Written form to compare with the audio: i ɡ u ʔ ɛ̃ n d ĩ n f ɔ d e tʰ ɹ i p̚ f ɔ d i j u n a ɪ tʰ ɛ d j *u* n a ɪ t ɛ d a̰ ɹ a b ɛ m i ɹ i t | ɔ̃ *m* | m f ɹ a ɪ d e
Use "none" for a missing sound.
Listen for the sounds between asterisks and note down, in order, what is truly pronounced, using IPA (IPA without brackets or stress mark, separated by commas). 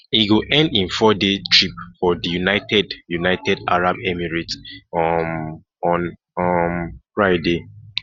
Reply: u, n